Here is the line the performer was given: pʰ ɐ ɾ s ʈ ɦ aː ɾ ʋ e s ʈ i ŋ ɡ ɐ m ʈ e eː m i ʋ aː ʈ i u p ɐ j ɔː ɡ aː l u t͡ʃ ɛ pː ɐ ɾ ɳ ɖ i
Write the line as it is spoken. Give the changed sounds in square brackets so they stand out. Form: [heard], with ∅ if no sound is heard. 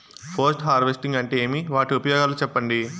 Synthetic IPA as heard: pʰ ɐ ɾ s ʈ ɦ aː ɾ ʋ e s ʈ i ŋ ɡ ɐ [ɳ] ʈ e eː m i ʋ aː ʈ i u p ɐ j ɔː ɡ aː l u t͡ʃ ɛ pː ɐ [∅] ɳ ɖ i